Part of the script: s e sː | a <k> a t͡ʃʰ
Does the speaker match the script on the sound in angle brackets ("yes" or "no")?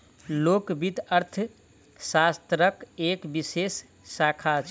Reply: no